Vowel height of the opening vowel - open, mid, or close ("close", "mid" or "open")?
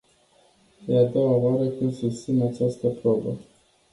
mid